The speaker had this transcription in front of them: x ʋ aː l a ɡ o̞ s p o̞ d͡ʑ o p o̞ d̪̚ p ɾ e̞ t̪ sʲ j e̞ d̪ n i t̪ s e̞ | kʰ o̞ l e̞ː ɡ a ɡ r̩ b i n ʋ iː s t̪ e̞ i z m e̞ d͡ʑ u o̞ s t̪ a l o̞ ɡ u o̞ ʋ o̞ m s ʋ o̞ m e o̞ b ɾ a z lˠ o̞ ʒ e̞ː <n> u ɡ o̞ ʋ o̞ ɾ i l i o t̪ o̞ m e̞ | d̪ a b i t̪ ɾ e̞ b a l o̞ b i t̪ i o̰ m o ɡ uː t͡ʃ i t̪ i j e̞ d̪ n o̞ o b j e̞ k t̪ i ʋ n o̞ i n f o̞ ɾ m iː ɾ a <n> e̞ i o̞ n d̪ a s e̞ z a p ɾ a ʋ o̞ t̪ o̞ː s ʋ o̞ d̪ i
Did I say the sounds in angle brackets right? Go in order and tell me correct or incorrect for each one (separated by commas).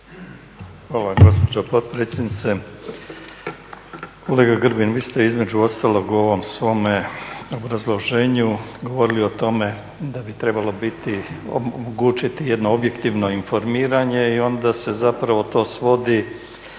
incorrect, incorrect